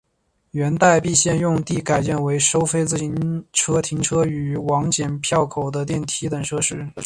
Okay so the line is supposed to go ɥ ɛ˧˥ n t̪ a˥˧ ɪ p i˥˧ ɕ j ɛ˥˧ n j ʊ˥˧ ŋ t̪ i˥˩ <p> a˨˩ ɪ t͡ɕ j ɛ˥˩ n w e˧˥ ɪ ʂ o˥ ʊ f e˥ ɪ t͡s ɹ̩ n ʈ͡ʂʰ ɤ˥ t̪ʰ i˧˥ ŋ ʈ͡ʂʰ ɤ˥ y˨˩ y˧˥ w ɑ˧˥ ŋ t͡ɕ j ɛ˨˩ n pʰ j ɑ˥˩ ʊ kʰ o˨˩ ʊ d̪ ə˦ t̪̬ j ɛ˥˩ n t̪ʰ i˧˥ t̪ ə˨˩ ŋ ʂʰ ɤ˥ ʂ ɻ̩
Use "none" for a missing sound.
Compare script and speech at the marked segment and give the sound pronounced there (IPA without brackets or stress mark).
k